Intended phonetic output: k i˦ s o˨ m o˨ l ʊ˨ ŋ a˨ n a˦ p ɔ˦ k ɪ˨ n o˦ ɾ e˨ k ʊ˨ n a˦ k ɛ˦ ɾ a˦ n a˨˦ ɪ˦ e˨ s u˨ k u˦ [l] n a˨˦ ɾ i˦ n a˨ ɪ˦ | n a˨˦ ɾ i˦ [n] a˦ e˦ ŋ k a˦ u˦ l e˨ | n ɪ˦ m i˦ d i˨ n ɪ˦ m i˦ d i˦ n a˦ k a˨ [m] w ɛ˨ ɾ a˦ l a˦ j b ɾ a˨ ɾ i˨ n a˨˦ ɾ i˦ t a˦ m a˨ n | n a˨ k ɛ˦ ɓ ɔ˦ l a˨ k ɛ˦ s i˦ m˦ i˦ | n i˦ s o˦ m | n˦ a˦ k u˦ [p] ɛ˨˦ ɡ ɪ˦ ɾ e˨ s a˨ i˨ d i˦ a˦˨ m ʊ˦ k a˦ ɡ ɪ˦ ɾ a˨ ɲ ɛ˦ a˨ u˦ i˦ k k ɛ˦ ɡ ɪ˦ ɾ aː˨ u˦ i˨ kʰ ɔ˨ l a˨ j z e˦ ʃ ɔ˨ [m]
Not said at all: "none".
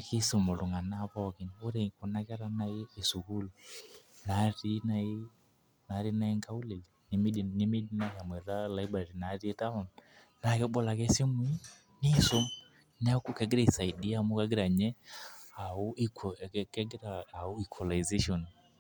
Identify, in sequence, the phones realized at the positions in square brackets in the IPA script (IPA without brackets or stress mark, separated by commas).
l, n, m, k, n